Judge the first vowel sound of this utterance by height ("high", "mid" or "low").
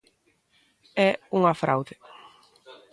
mid